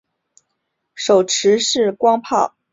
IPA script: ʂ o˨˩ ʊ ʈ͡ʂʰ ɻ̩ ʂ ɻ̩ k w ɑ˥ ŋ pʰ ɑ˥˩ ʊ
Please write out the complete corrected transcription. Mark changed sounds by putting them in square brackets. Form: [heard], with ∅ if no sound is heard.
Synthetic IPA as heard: ʂ o˨˩ ʊ ʈ͡ʂʰ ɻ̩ ʂ ɻ̩ k w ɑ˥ ŋ pʰ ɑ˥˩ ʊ